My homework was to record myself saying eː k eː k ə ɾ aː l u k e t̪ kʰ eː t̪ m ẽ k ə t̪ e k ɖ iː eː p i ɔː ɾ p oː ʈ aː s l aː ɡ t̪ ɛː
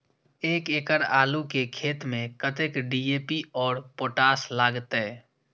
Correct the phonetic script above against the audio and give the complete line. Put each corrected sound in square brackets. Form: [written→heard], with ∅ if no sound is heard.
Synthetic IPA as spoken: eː k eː k ə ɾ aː l u k e [t̪→∅] kʰ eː t̪ m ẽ k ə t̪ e k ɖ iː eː p i ɔː ɾ p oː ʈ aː s l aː ɡ t̪ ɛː